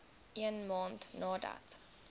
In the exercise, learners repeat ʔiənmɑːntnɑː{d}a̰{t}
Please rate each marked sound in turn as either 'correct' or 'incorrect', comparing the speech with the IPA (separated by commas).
correct, correct